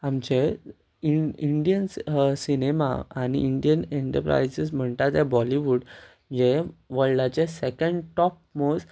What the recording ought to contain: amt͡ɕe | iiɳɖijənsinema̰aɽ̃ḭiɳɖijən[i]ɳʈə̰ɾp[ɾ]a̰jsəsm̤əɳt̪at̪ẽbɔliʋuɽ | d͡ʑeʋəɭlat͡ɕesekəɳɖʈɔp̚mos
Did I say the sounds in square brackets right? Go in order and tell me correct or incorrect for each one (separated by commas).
incorrect, correct